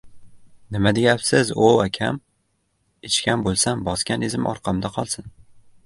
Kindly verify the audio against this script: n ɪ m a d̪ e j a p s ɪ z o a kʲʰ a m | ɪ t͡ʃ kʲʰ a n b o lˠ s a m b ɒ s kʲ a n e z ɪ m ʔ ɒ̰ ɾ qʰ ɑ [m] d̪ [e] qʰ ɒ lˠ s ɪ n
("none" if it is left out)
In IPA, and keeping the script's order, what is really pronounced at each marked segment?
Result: m, a

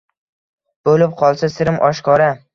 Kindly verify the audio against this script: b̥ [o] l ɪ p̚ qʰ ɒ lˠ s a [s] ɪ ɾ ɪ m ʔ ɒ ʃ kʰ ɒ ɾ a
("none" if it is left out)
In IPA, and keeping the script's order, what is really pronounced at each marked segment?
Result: o, s

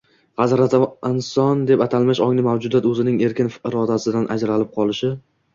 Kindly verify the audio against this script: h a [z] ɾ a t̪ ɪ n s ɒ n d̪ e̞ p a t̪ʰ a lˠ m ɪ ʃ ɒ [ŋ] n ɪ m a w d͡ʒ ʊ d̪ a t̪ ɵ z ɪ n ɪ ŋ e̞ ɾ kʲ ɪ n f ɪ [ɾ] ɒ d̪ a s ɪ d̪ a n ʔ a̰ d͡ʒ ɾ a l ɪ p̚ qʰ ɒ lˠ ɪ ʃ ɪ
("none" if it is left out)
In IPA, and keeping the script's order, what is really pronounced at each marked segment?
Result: z, ŋ, ɾ

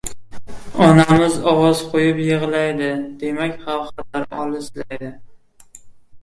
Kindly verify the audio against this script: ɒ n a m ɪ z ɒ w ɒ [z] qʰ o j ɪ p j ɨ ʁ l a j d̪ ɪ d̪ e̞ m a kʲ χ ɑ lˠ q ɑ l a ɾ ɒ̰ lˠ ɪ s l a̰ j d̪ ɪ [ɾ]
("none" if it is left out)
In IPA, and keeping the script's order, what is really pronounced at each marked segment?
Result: z, none

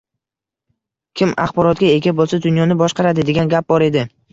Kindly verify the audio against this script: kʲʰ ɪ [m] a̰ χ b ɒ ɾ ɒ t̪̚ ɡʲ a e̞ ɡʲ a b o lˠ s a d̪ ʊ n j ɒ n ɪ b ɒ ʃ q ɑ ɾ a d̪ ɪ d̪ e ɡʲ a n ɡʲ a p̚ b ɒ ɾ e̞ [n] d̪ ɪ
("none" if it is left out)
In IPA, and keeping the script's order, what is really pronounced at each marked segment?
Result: m, none

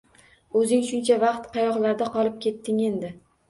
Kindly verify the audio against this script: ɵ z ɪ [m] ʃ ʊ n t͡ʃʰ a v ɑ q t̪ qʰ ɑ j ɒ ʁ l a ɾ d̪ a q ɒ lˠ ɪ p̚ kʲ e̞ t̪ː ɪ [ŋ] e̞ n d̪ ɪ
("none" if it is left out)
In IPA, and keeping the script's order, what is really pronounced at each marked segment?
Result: ŋ, ŋ

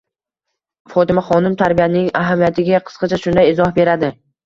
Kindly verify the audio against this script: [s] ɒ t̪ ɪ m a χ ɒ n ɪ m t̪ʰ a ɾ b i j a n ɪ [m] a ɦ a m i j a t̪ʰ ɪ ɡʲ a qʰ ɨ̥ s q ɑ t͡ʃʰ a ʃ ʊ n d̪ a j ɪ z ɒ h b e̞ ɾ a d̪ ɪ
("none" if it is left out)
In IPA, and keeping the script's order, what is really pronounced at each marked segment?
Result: f, ŋ

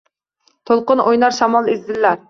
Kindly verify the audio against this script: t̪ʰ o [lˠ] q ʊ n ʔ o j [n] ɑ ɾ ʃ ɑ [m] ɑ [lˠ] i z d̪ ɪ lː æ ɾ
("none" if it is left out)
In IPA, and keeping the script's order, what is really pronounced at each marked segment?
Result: lˠ, n, m, lˠ

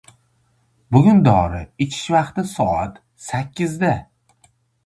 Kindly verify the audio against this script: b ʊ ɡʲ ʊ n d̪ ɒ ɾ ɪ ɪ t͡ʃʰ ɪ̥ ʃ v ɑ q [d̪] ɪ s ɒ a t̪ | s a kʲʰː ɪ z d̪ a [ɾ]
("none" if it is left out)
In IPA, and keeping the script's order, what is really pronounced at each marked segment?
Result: t̪, none

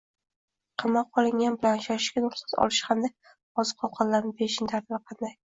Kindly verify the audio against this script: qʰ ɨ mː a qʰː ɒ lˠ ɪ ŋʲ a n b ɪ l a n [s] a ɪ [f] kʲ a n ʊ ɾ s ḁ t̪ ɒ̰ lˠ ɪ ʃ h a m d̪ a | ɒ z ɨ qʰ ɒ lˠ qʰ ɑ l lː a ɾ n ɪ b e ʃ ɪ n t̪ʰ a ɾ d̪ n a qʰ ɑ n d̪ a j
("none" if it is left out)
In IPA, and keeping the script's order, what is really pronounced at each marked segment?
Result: ʃ, ʃ

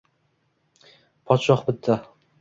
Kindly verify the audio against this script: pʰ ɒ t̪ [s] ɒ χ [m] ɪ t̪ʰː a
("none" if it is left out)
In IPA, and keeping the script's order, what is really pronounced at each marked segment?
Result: ʃ, b

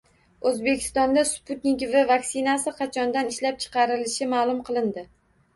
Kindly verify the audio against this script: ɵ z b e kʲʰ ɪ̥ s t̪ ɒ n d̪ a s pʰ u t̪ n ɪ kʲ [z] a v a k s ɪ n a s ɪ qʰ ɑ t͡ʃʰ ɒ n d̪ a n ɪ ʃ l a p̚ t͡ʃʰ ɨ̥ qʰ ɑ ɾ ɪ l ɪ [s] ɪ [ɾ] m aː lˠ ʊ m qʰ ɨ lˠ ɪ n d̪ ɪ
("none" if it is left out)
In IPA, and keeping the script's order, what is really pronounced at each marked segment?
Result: v, ʃ, none

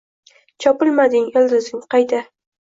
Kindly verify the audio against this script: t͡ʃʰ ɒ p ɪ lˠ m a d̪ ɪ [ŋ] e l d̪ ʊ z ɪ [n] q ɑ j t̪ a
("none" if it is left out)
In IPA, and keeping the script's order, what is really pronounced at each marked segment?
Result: ŋ, ŋ

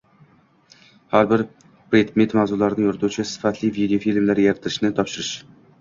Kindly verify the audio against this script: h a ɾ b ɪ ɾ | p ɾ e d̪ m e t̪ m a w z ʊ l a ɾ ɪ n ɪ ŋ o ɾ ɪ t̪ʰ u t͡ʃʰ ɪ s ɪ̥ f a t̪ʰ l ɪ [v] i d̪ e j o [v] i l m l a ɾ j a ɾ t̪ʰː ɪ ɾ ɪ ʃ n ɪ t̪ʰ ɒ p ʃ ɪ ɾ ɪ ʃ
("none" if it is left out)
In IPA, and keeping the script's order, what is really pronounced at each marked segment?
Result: v, f

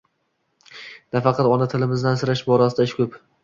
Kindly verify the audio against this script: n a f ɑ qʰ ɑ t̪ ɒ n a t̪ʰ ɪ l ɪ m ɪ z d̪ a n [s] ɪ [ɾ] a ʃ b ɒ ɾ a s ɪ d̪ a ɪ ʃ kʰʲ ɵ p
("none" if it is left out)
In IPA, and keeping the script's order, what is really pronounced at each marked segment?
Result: s, ɾ

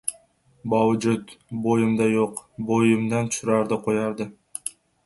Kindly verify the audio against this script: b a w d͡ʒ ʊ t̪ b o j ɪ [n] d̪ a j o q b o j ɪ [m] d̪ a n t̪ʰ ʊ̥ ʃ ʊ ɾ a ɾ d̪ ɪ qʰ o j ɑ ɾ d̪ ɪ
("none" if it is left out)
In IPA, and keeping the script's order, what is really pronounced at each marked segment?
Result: m, m

